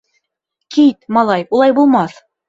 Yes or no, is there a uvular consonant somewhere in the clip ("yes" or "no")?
no